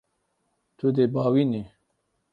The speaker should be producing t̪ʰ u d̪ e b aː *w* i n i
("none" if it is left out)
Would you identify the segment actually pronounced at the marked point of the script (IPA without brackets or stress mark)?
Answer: w